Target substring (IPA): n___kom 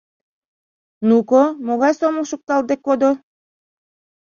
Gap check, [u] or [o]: u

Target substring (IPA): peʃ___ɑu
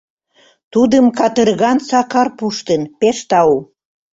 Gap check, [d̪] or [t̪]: t̪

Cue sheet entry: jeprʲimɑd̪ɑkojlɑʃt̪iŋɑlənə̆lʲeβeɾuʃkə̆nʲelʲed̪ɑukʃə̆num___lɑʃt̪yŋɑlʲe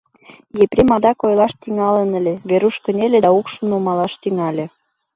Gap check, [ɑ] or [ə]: ɑ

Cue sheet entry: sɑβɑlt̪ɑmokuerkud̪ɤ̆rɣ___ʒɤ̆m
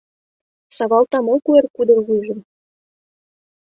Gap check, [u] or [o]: u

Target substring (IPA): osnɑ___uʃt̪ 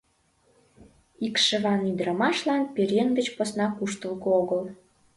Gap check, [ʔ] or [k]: k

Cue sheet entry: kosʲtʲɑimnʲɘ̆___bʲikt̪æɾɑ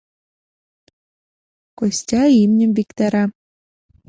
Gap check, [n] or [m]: m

